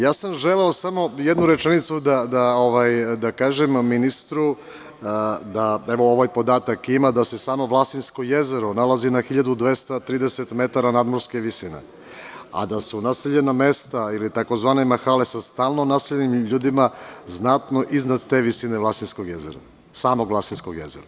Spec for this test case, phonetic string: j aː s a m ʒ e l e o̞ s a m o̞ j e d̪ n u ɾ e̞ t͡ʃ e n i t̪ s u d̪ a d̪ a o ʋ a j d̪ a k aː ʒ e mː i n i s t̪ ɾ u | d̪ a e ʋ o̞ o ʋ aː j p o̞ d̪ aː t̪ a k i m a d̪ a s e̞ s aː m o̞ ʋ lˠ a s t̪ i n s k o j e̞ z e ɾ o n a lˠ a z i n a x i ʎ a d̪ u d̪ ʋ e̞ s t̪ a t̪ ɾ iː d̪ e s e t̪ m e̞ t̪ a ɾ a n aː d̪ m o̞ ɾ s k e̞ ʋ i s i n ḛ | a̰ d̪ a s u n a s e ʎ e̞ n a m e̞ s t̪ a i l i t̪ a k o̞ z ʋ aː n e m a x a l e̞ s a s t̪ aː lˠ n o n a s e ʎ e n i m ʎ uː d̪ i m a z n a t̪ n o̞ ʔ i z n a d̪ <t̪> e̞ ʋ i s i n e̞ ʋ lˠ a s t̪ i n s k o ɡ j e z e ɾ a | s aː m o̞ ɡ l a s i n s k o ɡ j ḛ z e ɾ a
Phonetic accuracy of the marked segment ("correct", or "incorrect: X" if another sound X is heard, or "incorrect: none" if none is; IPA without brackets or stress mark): correct